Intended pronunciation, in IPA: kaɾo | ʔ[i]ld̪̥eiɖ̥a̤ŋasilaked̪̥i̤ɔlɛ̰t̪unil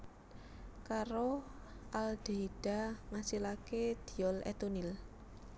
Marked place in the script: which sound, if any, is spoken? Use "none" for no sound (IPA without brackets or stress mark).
a